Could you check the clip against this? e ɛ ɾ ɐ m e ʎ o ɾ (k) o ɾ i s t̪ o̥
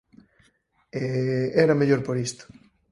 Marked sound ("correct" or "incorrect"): incorrect